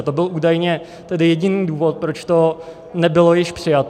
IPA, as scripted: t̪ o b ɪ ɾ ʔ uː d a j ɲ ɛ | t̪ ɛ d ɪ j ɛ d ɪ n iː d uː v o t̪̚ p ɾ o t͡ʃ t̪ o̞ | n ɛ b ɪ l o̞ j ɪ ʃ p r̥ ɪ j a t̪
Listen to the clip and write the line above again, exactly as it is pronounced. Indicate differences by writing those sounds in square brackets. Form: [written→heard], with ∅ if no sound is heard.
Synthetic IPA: t̪ o b ɪ [ɾ→l] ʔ uː d a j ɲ ɛ | t̪ ɛ d ɪ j ɛ [d→ɟ] ɪ n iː d uː v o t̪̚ p ɾ o t͡ʃ t̪ o̞ | n ɛ b ɪ l o̞ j ɪ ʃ p r̥ ɪ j a t̪